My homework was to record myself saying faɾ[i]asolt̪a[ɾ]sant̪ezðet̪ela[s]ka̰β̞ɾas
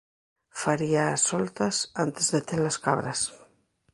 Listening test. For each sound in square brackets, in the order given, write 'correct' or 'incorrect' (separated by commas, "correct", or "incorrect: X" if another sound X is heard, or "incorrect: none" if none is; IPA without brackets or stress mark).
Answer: correct, incorrect: none, correct